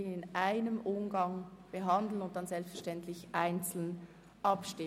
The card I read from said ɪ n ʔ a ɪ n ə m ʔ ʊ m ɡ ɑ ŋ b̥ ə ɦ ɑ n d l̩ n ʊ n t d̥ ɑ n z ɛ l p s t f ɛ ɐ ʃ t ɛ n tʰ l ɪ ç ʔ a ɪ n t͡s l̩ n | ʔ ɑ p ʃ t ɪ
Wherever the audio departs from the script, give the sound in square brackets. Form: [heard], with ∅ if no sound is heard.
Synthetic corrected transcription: ɪ n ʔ a ɪ n ə m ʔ ʊ m ɡ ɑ ŋ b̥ ə ɦ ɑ n d l̩ n ʊ n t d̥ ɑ n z ɛ l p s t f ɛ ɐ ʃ t ɛ n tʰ l ɪ ç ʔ a ɪ n t͡s l̩ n | ʔ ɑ p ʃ t ɪ

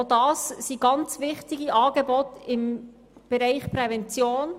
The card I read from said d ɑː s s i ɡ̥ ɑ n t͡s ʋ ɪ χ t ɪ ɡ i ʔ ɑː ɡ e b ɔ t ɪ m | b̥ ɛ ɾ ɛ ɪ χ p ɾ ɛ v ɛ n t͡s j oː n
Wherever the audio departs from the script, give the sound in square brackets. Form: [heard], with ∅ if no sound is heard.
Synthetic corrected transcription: d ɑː s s i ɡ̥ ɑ n t͡s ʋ ɪ χ t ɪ ɡ i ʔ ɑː ɡ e b ɔ t ɪ m | b̥ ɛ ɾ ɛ ɪ χ p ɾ ɛ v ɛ n t͡s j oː n

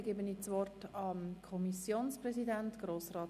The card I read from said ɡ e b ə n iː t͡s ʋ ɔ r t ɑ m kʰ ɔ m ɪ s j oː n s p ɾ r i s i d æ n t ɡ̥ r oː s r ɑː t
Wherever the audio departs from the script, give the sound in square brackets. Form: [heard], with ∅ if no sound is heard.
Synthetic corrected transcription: ɡ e b ə n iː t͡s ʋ ɔ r t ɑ m kʰ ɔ m [i] s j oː n s p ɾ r [ɛ] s i d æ n t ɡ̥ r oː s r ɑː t

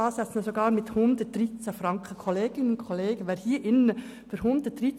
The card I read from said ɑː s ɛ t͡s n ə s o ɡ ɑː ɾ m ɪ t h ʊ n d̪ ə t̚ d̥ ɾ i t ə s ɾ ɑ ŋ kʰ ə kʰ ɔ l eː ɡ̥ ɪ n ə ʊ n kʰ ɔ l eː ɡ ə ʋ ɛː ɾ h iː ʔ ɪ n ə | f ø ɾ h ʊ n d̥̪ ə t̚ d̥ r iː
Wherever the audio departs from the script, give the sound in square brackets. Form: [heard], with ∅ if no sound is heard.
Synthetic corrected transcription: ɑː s ɛ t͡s n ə s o ɡ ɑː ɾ m ɪ t h ʊ n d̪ ə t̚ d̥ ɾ i [t͡s] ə [f] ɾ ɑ ŋ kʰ ə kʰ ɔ l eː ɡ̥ ɪ n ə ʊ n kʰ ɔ l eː ɡ ə ʋ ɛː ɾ h iː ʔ ɪ n ə | f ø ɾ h ʊ n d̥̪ ə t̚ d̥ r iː

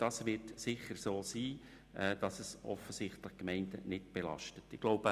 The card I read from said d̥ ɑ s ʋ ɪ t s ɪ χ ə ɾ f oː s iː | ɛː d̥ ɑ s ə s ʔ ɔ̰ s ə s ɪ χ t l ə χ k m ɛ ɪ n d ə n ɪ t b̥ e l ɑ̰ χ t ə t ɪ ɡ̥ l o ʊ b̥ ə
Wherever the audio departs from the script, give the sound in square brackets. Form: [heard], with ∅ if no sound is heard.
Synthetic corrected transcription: d̥ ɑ s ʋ ɪ t s ɪ χ ə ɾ [s] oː s iː | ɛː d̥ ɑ s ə s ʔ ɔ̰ [f] ə s ɪ χ t l ə χ k m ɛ ɪ n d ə n ɪ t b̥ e l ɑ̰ [ʃ] t ə t ɪ ɡ̥ l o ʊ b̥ ə

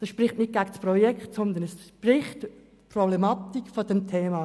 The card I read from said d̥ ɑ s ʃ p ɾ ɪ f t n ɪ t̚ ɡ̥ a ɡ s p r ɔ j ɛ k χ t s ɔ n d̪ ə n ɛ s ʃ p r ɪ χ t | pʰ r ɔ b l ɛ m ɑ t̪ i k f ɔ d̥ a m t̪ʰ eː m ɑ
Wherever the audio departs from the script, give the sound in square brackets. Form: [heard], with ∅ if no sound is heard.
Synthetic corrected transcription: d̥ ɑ s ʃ p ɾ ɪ [χ] t n ɪ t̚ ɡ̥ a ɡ s p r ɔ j ɛ k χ t s ɔ n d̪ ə n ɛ s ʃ p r ɪ χ t | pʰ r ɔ b l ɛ m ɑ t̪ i k f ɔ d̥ [ɛ] m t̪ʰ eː m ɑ

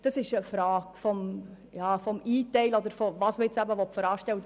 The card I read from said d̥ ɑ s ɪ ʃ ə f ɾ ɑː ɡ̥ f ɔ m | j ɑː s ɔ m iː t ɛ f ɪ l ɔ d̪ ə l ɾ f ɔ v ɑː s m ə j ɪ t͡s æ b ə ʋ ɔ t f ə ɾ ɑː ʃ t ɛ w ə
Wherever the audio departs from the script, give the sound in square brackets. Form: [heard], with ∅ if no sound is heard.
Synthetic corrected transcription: d̥ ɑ s ɪ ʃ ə f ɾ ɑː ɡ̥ f ɔ m | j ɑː [f] ɔ m iː t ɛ [∅] ɪ l ɔ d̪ ə [∅] ɾ f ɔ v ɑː s m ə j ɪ t͡s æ b ə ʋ ɔ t f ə ɾ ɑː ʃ t ɛ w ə

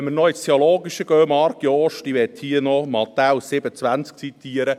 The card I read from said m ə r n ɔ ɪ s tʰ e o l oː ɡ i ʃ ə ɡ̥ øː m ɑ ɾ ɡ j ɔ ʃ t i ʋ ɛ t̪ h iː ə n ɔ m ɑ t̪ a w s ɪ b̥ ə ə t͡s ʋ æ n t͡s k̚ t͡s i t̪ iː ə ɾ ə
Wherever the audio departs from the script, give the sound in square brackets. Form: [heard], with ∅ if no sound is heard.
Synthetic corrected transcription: m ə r n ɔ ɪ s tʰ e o l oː ɡ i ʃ ə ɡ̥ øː m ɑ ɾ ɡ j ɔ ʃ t i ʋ ɛ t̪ h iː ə n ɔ m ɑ t̪ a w s ɪ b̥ ə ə t͡s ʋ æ n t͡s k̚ t͡s i t̪ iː ə ɾ ə

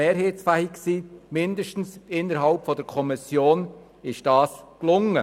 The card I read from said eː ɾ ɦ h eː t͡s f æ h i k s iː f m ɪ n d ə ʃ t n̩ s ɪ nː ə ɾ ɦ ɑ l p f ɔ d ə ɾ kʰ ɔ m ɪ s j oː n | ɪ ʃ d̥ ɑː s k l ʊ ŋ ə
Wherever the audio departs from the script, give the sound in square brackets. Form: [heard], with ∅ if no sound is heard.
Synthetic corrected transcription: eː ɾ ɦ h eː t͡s f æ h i k s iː [∅] m ɪ n d ə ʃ t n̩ s ɪ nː ə ɾ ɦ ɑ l p f ɔ d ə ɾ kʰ ɔ m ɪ s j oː n | ɪ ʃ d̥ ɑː s k l ʊ ŋ ə

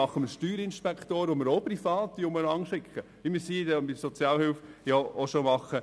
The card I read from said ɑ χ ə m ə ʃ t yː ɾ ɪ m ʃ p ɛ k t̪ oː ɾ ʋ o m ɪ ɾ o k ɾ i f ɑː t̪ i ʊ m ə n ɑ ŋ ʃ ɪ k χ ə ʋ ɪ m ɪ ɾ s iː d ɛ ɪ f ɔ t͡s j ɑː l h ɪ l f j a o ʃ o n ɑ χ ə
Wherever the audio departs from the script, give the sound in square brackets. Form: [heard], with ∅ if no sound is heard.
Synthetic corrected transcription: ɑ χ ə m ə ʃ t yː ɾ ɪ [n] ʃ p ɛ k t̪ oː ɾ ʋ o m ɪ ɾ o [p] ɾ i f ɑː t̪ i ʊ m ə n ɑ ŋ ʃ ɪ k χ ə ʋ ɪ m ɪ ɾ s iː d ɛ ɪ [s] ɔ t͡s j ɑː l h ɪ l f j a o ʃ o [m] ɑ χ ə

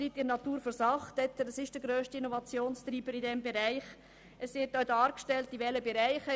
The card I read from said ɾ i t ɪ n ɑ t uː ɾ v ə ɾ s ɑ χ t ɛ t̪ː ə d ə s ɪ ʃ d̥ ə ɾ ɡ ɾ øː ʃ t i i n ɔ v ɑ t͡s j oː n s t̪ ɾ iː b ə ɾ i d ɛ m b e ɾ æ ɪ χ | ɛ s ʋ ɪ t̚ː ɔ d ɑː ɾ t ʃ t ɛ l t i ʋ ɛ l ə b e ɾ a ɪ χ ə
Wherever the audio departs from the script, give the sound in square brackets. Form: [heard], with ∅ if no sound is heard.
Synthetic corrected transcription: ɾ i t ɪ n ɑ t uː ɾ [f] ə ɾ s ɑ χ t ɛ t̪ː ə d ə s ɪ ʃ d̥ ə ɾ ɡ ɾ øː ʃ t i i n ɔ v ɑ t͡s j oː n s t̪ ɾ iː b ə ɾ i d ɛ m b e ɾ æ ɪ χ | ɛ s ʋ ɪ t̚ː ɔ d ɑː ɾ [k] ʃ t ɛ l t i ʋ ɛ l ə b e ɾ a ɪ χ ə

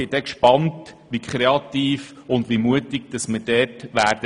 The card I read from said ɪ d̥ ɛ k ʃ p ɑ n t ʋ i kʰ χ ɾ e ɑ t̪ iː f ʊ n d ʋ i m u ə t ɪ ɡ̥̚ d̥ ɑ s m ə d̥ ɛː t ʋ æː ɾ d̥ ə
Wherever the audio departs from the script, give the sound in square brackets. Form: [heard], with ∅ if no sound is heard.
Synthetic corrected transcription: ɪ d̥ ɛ k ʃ p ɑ n t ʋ i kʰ χ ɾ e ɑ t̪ iː f ʊ n d ʋ i m u ə t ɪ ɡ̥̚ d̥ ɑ s m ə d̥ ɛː t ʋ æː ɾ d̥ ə

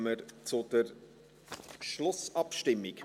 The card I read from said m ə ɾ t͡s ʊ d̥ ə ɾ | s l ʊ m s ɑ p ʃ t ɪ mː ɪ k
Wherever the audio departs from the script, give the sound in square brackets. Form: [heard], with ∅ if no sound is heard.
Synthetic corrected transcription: m ə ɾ t͡s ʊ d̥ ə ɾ | [ʃ] l ʊ [∅] s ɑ p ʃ t ɪ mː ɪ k

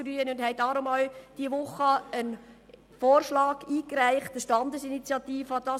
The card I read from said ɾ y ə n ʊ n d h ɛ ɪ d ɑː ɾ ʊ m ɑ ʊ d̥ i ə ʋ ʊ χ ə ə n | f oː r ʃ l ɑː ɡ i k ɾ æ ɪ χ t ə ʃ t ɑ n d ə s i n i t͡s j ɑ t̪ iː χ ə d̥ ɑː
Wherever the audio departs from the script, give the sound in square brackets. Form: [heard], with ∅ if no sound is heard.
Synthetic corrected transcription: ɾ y ə n ʊ n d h ɛ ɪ d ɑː ɾ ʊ m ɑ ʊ d̥ i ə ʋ ʊ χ ə ə n | f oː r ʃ l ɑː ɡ [iː] k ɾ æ ɪ χ t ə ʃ t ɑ n d ə s i n i t͡s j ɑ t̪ iː [f] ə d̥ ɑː

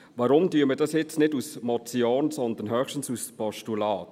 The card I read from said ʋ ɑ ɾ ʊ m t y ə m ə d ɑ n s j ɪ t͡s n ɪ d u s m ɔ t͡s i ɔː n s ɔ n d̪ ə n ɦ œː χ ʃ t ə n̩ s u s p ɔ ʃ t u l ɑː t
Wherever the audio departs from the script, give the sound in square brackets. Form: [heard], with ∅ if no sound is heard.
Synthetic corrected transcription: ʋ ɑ ɾ ʊ m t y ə m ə d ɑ [∅] s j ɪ t͡s n ɪ d u s m ɔ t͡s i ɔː n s ɔ n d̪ ə n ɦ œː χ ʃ t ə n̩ s u s p ɔ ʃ t u l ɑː t

